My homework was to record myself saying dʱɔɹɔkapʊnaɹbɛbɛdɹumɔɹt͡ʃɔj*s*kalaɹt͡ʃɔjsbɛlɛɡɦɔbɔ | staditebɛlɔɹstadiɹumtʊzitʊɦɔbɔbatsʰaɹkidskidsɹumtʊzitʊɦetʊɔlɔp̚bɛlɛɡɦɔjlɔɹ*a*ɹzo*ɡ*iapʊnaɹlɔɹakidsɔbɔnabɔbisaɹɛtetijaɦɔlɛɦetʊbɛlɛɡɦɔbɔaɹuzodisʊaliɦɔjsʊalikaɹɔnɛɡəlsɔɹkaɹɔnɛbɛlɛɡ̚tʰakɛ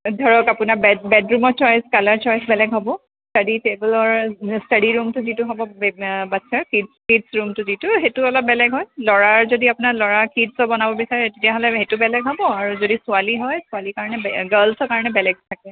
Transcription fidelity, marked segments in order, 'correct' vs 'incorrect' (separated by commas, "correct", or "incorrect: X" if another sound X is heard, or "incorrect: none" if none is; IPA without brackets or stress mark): correct, correct, incorrect: d